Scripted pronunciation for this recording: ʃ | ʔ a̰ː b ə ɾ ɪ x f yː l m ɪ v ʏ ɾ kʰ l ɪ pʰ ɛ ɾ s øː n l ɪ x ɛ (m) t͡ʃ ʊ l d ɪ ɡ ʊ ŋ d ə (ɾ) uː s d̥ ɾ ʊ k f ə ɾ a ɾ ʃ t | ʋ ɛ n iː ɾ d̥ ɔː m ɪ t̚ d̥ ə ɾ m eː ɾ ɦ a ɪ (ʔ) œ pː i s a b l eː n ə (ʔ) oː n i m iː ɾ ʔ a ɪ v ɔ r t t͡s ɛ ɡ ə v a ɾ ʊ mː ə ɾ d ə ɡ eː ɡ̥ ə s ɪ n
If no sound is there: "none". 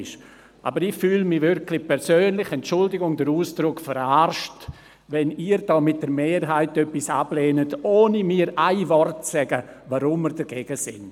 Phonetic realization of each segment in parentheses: n, ɾ, t, t

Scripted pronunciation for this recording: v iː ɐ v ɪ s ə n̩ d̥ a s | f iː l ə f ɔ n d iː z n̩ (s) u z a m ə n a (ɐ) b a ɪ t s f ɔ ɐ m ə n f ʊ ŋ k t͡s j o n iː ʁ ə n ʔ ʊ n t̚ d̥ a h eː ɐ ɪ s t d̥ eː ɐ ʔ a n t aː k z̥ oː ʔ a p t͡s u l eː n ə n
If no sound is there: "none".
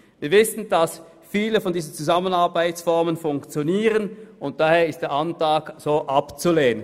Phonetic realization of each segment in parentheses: t͡s, ɐ

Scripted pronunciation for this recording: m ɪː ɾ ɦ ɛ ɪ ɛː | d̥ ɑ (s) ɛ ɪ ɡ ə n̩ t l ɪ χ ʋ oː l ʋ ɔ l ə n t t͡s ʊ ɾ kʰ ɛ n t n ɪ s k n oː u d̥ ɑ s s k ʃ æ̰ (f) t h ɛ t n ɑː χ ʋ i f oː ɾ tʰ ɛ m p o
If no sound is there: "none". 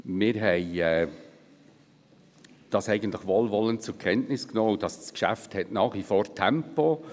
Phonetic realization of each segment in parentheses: s, f

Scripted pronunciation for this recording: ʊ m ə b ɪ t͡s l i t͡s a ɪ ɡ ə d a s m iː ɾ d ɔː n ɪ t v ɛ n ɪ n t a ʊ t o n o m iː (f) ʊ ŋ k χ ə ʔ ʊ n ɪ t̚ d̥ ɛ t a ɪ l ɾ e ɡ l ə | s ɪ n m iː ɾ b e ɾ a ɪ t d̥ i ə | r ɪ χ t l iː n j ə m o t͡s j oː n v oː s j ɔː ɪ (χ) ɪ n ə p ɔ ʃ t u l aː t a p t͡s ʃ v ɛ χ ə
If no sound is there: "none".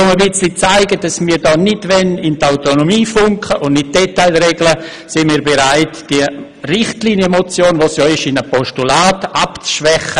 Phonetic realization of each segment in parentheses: f, ʃ

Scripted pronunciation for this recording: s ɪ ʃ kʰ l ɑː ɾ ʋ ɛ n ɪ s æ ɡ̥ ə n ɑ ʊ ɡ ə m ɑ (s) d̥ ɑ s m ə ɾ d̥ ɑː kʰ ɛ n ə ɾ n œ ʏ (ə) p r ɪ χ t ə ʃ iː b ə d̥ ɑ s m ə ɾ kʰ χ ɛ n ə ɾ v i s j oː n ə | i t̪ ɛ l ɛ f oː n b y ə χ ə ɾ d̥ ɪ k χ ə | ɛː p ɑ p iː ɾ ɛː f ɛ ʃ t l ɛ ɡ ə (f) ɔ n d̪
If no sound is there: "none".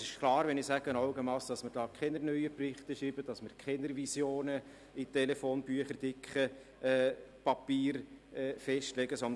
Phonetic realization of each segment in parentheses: s, ə, s

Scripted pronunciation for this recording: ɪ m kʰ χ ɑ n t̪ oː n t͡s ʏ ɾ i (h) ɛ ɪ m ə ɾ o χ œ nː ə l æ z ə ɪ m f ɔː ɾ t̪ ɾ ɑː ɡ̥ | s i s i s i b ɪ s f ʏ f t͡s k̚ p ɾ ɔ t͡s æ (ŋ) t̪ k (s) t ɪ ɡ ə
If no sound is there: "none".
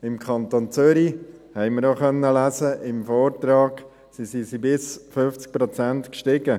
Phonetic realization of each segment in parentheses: h, n, ʃ

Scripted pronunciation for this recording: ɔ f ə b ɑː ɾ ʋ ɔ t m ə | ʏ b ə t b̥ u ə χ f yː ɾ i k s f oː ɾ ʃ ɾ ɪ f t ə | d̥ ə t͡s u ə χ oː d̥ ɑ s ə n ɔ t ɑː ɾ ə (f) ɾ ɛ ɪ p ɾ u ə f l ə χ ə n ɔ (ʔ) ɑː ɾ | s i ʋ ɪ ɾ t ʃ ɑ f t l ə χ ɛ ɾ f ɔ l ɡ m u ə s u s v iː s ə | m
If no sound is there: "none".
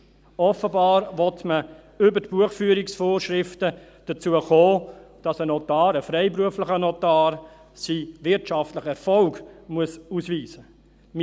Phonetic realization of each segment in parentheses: f, t

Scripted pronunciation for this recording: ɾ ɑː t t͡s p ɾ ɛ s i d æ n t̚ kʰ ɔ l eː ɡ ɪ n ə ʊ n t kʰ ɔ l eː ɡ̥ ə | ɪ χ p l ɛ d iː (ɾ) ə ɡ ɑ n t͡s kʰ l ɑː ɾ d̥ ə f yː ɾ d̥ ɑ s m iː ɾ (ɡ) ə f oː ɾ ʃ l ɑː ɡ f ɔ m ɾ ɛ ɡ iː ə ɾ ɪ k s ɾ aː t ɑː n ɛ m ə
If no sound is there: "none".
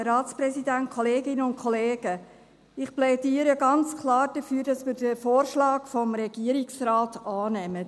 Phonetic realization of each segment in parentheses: ɾ, d

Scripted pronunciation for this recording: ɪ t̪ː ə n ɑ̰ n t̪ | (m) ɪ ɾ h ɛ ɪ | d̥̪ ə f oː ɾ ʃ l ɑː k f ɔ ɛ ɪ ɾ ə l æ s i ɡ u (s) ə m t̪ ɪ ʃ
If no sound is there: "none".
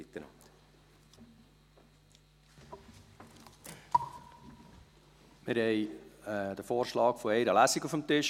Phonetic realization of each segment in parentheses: m, f

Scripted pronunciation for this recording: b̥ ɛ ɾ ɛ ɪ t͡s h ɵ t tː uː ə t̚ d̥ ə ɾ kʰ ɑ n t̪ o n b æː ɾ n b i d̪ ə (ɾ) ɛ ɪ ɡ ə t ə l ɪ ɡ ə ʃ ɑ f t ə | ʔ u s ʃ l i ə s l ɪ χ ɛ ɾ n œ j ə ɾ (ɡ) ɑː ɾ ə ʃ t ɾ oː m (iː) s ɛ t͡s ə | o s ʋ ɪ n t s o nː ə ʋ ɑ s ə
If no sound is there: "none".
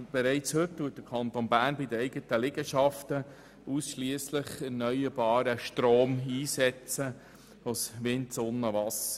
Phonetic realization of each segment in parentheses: none, b, iː

